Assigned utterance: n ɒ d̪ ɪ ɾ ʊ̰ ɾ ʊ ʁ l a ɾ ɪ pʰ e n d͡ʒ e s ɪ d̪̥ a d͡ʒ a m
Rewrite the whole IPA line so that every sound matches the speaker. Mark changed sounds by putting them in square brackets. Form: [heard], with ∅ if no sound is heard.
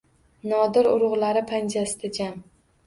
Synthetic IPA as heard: n ɒ d̪ ɪ ɾ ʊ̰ ɾ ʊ ʁ l a ɾ ɪ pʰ [a] n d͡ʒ [a] s ɪ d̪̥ a d͡ʒ a m